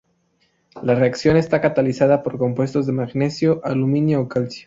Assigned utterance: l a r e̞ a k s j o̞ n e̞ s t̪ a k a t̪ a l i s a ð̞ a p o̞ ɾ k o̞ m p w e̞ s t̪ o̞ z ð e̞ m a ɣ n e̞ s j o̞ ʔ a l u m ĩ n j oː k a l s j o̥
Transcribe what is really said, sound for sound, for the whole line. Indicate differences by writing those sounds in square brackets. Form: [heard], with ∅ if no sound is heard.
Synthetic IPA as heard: l a r e̞ a k s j o̞ n e̞ s t̪ a k a t̪ a l i s a ð̞ a p o̞ ɾ k o̞ m p w e̞ s t̪ o̞ z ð e̞ m a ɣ n e̞ s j o̞ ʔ a l u m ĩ n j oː k a l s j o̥